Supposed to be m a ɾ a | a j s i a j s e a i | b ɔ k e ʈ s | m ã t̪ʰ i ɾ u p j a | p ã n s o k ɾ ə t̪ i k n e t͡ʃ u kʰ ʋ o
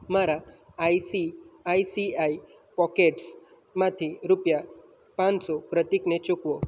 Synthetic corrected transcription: m a ɾ a | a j s i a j s i a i | p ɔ k e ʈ s | m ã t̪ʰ i ɾ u p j a | p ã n s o p ɾ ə t̪ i k n e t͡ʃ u k ʋ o

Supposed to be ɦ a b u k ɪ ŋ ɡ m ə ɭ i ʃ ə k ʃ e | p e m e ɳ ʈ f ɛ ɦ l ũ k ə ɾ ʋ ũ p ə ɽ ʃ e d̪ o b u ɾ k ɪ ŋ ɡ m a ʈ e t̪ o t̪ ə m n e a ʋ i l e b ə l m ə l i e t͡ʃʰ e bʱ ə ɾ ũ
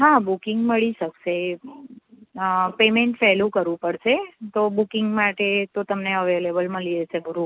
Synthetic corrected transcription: ɦ a b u k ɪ ŋ ɡ m ə ɭ i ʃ ə k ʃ e | p e m e ɳ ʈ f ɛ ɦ l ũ k ə ɾ ʋ ũ p ə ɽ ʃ e t̪ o b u k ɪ ŋ ɡ m a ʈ e t̪ o t̪ ə m n e ə ʋ e l e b ə l m ə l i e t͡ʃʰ e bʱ ə ɾ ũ

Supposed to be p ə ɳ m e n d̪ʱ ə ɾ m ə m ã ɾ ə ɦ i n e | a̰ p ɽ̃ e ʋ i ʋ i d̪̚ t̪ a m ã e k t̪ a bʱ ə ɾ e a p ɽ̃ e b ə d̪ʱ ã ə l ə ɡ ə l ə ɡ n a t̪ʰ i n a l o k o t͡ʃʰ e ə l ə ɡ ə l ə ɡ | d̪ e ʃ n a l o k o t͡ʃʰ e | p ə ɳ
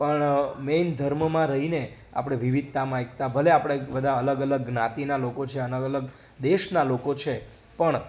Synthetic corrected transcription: p ə ɳ m e n d̪ʱ ə ɾ m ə m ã ɾ ə ɦ i n e | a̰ p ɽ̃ e ʋ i ʋ i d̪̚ t̪ a m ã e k t̪ a bʱ ə l e a p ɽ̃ e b ə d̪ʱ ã ə l ə ɡ ə l ə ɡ n a t̪ i n a l o k o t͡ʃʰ e ə l ə ɡ ə l ə ɡ | d̪ e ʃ n a l o k o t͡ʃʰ e | p ə ɳ

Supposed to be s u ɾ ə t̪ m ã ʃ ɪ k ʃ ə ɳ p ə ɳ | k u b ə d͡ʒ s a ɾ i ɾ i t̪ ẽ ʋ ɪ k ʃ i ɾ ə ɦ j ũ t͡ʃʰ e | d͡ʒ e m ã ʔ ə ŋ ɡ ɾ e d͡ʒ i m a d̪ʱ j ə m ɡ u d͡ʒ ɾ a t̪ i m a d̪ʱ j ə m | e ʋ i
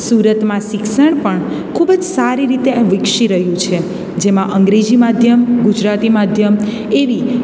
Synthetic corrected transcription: s u ɾ ə t̪ m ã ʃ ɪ k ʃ ə ɳ p ə ɳ | kʰ u b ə d͡ʒ s a ɾ i ɾ i t̪ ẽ ʋ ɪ k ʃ i ɾ ə ɦ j ũ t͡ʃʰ e | d͡ʒ e m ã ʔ ə ŋ ɡ ɾ e d͡ʒ i m a d̪ʱ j ə m ɡ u d͡ʒ ɾ a t̪ i m a d̪ʱ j ə m | e ʋ i

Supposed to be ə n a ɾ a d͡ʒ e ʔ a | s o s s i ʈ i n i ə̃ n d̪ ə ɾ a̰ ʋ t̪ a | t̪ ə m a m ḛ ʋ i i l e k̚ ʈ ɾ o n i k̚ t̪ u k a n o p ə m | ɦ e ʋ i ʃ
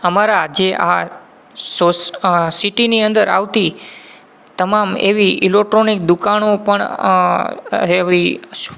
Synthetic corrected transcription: ə m a ɾ a d͡ʒ e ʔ a | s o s s i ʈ i n i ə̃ n d̪ ə ɾ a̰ ʋ t̪ i | t̪ ə m a m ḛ ʋ i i l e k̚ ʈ ɾ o n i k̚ d̪ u k a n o p ə ɳ | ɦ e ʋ i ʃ

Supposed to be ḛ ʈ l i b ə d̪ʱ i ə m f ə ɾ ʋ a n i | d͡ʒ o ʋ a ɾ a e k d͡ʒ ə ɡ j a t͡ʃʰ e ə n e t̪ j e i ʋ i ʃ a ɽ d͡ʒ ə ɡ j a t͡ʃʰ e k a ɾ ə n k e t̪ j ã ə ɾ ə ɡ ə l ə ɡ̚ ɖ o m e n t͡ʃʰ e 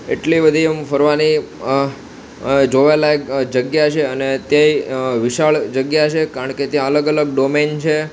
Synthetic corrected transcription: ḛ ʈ l i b ə d̪ʱ i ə m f ə ɾ ʋ a n i | d͡ʒ o ʋ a l a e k d͡ʒ ə ɡ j a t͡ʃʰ e ə n e t̪ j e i ʋ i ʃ a ɭ d͡ʒ ə ɡ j a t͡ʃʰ e k a ɾ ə ɳ k e t̪ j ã ə l ə ɡ ə l ə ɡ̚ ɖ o m e n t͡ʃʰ e

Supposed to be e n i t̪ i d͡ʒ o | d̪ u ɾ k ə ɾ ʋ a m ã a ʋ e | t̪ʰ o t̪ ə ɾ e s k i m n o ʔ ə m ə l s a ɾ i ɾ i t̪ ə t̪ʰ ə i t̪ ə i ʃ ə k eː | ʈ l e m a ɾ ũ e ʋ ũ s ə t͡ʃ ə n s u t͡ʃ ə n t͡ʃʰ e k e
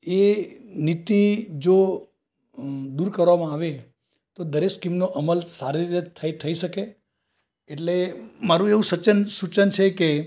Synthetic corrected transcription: e n i t̪ i d͡ʒ o | d̪ u ɾ k ə ɾ ʋ a m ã a ʋ e | t̪ o d̪ ə ɾ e s k i m n o ʔ ə m ə l s a ɾ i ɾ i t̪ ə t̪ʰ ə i t̪ʰ ə i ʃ ə k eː | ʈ l e m a ɾ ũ e ʋ ũ s ə t͡ʃ ə n s u t͡ʃ ə n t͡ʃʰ e k e

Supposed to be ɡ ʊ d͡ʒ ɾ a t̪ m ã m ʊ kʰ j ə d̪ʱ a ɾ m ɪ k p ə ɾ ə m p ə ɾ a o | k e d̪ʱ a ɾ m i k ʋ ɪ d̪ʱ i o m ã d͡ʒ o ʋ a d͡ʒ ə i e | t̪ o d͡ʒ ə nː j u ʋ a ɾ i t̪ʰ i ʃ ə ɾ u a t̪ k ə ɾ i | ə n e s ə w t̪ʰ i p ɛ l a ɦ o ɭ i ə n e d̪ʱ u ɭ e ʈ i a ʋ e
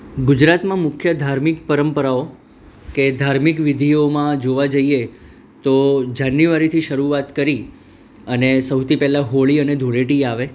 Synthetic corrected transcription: ɡ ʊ d͡ʒ ɾ a t̪ m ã m ʊ kʰ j ə d̪ʱ a ɾ m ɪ k p ə ɾ ə m p ə ɾ a o | k e d̪ʱ a ɾ m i k ʋ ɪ d̪ʱ i o m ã d͡ʒ o ʋ a d͡ʒ ə i e | t̪ o d͡ʒ a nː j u ʋ a ɾ i t̪ʰ i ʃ ə ɾ u a t̪ k ə ɾ i | ə n e s ə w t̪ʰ i p ɛ l a ɦ o ɭ i ə n e d̪ʱ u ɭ e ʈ i a ʋ e

